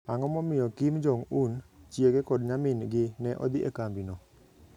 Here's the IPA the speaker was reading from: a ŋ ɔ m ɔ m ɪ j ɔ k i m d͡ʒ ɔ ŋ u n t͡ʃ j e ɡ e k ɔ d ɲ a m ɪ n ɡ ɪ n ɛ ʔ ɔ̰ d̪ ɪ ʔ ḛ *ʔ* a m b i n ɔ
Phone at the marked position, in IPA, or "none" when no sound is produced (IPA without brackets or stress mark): k